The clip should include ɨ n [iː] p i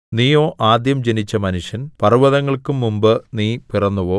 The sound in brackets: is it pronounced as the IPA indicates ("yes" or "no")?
yes